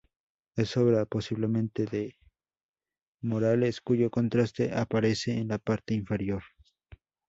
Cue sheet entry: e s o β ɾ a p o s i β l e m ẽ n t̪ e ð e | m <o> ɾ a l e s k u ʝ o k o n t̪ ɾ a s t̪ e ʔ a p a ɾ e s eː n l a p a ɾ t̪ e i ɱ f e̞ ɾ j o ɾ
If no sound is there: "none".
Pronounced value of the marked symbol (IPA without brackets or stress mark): o